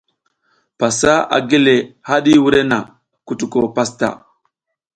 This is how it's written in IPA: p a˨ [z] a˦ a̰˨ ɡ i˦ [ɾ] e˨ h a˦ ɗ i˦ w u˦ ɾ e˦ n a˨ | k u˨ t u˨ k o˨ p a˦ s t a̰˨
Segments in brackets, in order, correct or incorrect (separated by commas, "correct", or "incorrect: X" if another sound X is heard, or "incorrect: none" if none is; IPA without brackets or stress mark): incorrect: s, incorrect: l